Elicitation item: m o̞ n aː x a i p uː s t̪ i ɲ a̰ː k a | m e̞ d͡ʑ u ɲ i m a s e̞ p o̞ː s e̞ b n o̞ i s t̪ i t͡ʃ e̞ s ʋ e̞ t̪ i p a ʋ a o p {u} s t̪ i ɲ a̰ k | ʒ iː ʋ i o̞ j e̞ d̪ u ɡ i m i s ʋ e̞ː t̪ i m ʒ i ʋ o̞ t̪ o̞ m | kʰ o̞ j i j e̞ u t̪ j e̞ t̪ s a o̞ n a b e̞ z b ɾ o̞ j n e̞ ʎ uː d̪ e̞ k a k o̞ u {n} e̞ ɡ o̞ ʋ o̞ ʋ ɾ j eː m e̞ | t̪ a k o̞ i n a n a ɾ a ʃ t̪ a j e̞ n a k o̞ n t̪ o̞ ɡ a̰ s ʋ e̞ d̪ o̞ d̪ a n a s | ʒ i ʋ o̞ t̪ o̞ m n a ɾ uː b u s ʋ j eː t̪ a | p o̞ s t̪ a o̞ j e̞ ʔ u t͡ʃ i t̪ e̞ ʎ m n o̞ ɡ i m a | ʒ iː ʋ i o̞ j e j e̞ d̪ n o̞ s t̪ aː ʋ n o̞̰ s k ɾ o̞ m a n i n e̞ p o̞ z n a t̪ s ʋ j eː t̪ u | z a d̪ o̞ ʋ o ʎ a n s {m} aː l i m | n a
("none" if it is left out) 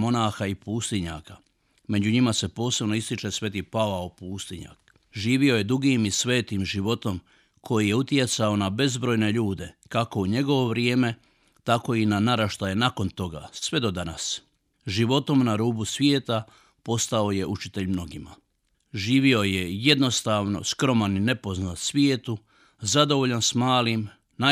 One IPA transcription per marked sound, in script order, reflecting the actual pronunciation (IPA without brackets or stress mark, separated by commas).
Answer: uː, ɲ, m